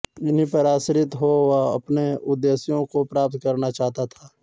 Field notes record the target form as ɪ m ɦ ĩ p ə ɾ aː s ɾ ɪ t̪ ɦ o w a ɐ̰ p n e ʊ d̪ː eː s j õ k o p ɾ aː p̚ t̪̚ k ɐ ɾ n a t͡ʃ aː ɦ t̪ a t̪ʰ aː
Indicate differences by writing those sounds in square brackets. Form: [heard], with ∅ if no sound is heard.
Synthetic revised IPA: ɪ [n] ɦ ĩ p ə ɾ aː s ɾ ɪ t̪ ɦ o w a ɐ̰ p n e ʊ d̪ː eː s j õ k o p ɾ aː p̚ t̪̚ k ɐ ɾ n a t͡ʃ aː ɦ t̪ a t̪ʰ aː